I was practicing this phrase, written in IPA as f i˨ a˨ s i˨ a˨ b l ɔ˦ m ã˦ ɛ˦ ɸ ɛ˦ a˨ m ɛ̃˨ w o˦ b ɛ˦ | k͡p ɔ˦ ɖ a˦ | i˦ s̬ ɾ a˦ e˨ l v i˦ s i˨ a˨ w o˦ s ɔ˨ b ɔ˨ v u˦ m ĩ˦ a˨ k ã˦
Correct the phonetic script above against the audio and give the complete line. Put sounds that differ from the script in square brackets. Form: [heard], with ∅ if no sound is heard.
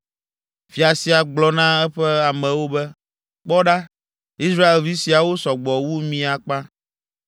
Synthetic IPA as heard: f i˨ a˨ s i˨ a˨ [ɡ͡b] l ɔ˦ [n] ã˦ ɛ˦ ɸ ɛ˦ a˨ m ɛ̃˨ w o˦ b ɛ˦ | k͡p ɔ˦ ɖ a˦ | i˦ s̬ ɾ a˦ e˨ l v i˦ s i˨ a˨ w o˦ s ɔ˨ [ɡ͡b] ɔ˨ [w] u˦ m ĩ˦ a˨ [k͡p] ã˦